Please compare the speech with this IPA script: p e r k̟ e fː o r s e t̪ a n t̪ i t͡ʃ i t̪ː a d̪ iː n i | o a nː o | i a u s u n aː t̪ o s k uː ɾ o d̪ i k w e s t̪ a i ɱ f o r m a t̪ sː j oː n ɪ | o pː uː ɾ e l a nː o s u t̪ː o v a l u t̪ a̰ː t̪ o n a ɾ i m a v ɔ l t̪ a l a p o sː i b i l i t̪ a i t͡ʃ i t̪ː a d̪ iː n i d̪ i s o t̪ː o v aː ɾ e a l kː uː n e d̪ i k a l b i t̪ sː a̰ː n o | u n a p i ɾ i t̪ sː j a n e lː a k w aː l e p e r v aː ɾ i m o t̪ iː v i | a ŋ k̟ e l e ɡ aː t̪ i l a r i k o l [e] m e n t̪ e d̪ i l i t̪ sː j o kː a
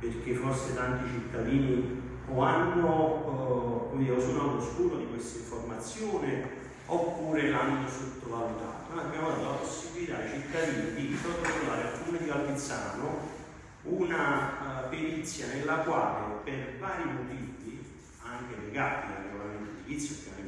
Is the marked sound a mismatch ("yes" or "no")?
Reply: yes